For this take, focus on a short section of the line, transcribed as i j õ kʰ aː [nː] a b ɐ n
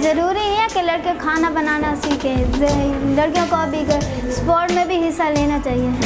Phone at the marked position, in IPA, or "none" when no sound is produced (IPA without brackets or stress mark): n